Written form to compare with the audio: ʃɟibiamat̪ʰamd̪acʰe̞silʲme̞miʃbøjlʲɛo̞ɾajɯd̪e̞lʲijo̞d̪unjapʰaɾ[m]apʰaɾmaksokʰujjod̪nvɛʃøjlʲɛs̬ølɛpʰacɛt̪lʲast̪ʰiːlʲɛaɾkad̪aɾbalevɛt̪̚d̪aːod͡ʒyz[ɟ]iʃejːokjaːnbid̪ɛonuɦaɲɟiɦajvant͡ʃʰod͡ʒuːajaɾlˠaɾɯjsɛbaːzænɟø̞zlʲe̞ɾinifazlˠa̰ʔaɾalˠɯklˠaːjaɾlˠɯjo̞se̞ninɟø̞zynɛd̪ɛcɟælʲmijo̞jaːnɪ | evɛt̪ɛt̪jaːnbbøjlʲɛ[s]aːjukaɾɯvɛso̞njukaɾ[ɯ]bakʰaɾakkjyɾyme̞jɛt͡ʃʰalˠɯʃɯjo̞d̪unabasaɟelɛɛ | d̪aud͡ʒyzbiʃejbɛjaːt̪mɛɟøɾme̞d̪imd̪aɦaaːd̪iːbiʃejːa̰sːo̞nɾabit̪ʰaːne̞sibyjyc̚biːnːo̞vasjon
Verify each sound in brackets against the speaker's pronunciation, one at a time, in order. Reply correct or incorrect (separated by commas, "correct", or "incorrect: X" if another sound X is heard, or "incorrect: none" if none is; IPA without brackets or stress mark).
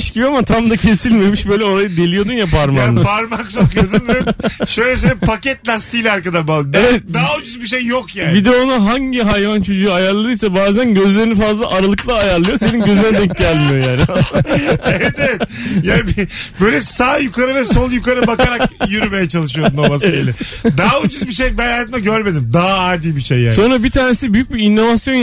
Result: correct, incorrect: b, correct, correct